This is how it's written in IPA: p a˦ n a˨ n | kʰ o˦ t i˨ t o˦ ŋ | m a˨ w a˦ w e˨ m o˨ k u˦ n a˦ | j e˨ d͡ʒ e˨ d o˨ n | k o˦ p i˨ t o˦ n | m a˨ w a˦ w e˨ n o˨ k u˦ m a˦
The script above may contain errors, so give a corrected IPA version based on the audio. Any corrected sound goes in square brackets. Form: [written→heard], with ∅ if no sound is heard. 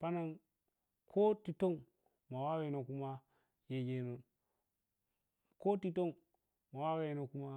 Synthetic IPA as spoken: p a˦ n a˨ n | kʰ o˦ t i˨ t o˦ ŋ | m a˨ w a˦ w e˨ [m→n] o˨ k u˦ [n→m] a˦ | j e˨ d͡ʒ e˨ [d→n] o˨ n | k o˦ [p→t] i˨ t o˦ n | m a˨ w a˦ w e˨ n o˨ k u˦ m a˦